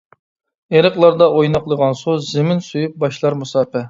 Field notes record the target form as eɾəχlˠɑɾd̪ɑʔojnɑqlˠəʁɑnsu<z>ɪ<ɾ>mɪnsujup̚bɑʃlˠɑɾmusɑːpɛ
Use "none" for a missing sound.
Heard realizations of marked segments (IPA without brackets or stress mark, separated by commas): z, none